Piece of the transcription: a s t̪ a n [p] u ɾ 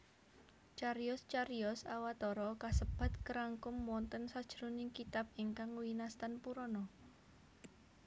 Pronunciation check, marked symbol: correct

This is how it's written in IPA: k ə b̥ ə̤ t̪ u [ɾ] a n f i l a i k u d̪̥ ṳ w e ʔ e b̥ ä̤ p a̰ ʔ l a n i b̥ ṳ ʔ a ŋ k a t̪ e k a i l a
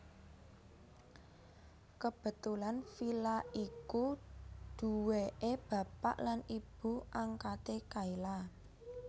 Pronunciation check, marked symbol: incorrect: l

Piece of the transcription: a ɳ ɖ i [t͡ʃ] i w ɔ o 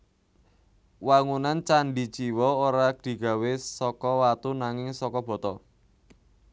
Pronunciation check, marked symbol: correct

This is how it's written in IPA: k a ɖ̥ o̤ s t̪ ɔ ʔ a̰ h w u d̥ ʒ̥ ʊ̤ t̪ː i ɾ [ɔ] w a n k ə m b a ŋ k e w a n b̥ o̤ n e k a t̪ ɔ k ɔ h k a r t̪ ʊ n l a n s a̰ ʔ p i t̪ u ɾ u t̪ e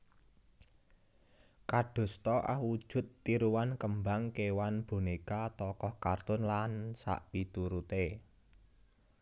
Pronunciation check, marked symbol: incorrect: u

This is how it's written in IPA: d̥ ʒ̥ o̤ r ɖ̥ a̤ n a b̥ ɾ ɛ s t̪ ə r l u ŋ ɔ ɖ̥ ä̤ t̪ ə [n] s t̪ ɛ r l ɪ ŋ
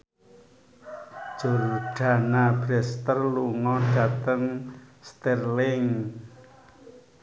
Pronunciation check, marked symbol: incorrect: ŋ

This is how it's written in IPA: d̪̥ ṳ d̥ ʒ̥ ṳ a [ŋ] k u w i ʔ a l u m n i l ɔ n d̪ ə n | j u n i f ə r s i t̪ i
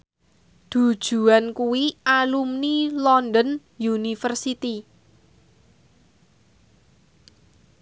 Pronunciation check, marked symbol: incorrect: n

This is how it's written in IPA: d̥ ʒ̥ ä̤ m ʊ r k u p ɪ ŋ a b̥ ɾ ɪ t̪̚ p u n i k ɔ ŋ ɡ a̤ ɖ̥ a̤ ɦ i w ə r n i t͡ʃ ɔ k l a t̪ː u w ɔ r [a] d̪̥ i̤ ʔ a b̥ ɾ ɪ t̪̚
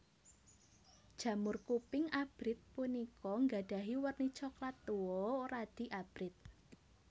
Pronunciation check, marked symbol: correct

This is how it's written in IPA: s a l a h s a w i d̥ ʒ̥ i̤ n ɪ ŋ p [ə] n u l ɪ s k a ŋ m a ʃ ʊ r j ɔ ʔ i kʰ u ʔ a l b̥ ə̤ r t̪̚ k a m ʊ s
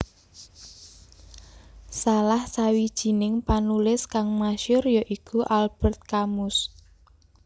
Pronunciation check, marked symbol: incorrect: a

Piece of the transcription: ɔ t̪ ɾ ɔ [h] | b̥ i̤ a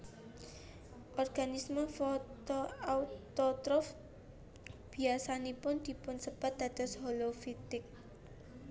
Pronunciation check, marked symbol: incorrect: f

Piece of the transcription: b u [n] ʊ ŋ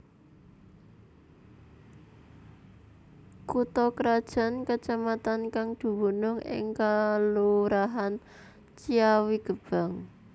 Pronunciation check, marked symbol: correct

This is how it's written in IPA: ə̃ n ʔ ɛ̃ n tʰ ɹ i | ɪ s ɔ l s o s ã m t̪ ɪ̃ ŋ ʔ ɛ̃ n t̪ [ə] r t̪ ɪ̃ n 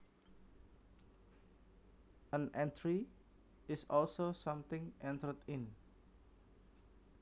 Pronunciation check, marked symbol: correct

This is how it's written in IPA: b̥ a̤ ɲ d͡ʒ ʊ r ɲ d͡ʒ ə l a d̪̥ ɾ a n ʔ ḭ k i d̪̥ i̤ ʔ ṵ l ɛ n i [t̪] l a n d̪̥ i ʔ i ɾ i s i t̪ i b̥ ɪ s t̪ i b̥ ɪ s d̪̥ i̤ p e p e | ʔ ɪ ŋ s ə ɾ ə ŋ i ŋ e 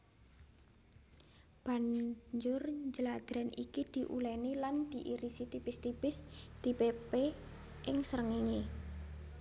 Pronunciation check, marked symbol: incorrect: none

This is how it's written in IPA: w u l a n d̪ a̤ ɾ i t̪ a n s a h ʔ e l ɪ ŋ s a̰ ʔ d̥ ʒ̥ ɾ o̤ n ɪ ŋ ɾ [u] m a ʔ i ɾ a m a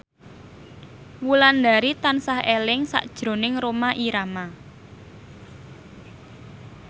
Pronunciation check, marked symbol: incorrect: o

